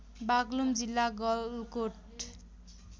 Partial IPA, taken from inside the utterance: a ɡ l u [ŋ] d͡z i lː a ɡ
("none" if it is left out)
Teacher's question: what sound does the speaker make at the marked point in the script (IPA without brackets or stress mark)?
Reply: m